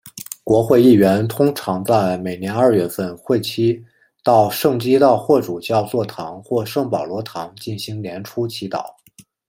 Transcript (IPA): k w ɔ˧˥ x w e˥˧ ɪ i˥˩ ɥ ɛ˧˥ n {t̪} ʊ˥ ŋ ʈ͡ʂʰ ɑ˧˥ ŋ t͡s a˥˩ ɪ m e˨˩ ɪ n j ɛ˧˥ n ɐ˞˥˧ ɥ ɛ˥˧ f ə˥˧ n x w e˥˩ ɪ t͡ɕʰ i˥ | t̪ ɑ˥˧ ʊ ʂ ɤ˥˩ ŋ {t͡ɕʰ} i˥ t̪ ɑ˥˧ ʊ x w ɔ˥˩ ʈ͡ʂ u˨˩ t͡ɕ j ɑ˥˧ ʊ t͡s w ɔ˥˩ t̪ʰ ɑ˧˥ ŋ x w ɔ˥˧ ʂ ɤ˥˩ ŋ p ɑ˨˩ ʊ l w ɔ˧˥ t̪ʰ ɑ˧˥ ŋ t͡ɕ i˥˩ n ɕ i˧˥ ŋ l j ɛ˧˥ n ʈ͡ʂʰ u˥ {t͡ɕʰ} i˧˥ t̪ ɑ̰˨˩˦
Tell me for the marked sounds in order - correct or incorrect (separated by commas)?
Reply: incorrect, incorrect, correct